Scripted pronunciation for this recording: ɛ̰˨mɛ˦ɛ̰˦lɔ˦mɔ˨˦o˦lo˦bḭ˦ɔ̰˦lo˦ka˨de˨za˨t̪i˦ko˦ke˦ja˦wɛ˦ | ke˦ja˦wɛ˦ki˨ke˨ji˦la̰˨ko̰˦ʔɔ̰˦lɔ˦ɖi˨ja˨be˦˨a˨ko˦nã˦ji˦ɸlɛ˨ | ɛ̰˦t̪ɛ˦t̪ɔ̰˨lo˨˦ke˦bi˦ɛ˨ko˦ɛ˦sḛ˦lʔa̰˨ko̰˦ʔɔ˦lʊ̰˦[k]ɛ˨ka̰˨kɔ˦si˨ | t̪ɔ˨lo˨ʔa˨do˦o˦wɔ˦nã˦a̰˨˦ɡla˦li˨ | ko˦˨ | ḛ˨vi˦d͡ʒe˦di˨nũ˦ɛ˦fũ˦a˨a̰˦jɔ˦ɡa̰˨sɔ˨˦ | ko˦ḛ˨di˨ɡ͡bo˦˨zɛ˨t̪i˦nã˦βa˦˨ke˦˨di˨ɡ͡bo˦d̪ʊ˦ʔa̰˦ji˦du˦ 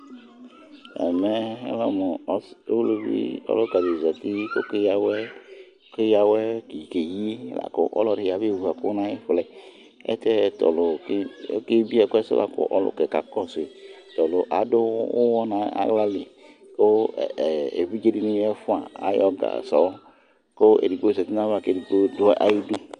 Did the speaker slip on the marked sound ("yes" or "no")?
no